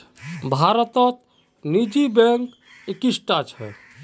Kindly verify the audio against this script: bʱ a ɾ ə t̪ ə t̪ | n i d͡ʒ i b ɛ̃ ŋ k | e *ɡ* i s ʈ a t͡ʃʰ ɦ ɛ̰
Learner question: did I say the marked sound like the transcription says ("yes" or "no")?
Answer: no